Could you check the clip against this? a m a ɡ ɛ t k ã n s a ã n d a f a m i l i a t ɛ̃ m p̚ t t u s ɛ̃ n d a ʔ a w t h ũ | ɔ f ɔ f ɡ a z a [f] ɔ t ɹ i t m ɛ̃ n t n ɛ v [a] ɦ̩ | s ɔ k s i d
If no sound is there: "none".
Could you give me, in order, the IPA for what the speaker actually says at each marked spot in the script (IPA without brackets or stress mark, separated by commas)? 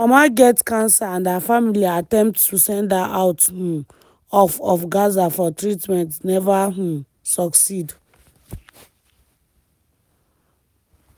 f, a